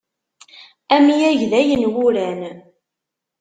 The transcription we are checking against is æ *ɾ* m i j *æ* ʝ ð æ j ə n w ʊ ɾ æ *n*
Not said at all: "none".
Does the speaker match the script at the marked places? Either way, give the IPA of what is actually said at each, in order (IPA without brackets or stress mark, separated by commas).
none, æ, n